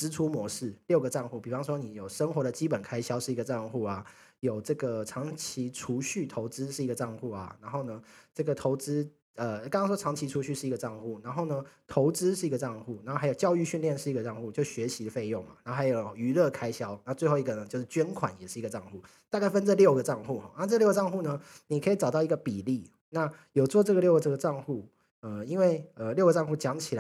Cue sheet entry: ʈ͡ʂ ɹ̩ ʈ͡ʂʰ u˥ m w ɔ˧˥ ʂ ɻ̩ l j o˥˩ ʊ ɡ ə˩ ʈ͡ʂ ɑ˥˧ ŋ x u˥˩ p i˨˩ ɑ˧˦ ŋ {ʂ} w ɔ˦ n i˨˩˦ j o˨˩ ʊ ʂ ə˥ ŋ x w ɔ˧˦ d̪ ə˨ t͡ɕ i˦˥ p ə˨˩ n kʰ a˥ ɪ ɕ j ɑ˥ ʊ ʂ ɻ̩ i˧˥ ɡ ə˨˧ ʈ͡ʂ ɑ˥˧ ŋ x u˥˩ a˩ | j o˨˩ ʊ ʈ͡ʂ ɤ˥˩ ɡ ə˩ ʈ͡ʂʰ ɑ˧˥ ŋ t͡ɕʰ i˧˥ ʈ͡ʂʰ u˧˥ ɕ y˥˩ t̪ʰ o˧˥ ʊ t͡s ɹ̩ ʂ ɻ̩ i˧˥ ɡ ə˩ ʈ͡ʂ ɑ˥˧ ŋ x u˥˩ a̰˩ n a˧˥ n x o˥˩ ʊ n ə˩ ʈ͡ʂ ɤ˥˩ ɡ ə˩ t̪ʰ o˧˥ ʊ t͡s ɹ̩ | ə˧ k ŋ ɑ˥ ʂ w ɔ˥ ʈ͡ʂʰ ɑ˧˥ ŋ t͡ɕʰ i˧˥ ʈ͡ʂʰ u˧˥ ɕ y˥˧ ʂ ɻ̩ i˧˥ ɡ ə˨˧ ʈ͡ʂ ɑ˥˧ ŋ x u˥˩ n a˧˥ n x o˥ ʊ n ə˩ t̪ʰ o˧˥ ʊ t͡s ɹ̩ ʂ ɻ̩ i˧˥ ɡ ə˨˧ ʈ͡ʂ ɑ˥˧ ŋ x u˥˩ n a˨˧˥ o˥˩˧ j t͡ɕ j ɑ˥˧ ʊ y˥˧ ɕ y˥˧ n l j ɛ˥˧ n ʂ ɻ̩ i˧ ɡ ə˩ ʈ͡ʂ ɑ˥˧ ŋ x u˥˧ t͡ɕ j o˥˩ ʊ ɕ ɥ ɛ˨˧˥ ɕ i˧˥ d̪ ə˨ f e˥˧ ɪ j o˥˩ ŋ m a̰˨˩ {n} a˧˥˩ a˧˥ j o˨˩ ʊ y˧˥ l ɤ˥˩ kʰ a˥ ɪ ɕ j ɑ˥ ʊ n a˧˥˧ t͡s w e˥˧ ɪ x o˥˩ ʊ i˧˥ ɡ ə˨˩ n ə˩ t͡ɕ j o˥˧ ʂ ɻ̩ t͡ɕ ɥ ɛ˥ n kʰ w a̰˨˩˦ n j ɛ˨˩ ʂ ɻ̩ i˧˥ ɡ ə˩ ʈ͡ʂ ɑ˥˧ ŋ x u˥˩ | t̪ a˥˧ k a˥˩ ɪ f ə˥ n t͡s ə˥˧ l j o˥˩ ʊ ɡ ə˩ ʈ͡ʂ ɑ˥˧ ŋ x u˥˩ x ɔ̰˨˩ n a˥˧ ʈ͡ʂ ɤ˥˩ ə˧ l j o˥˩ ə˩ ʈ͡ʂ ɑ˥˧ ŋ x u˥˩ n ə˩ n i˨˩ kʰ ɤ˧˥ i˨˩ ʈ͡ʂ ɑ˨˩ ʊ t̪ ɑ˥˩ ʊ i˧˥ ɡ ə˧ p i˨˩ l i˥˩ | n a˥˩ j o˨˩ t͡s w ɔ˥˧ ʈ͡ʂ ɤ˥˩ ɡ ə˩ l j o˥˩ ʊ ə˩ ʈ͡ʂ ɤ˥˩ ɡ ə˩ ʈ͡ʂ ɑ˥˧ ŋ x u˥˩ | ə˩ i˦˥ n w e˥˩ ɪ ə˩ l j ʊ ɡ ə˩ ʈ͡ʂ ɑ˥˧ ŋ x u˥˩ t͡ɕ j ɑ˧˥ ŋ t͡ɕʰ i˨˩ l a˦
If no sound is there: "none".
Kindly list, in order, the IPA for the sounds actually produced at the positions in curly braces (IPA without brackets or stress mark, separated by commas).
ʂ, n